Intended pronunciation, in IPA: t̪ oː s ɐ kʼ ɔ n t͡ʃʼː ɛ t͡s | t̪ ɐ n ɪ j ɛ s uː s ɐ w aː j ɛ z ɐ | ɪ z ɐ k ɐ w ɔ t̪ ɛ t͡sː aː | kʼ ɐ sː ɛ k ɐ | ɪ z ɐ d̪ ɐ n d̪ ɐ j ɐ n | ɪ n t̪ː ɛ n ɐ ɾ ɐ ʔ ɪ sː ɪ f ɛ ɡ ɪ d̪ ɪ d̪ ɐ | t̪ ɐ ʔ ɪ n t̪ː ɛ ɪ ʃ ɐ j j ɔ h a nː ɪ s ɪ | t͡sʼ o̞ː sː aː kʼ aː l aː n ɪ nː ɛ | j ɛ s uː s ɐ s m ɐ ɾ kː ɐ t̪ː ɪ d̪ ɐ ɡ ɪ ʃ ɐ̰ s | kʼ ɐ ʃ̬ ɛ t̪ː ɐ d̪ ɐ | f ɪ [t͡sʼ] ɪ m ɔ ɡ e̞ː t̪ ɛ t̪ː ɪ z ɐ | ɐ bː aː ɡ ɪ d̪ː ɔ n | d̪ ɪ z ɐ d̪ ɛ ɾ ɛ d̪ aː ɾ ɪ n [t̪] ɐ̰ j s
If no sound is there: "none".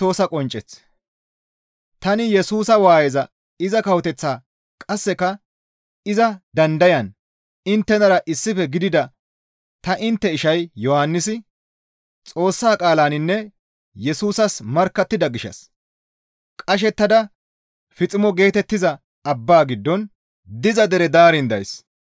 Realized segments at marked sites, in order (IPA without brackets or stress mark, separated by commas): t͡sʼ, d̪